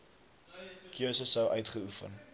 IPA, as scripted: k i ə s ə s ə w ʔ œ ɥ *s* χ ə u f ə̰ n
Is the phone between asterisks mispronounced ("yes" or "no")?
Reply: yes